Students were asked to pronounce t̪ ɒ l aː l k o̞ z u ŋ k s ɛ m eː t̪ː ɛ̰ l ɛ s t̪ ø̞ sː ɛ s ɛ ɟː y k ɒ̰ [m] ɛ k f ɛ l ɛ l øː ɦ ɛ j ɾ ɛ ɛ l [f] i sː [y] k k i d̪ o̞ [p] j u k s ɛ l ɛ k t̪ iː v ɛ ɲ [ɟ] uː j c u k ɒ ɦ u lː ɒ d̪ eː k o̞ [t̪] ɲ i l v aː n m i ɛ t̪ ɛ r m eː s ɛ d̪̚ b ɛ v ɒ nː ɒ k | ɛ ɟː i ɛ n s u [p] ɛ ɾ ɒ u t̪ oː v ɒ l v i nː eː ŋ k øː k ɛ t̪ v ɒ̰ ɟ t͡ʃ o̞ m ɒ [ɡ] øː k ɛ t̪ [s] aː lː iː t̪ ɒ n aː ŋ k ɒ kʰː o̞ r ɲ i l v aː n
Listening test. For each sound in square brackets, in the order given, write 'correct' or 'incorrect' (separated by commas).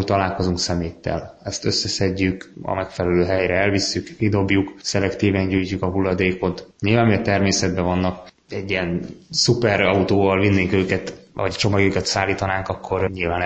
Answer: correct, incorrect, correct, incorrect, correct, correct, correct, correct, correct